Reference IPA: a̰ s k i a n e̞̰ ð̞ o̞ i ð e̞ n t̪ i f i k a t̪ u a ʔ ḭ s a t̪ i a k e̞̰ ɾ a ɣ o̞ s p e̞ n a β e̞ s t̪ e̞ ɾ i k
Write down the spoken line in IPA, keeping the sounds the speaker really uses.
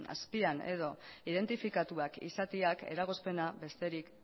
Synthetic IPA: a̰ s p i a n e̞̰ ð̞ o̞ i ð e̞ n t̪ i f i k a t̪ u a k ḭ s a t̪ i a k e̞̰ ɾ a ɣ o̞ s p e̞ n a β e̞ s t̪ e̞ ɾ i k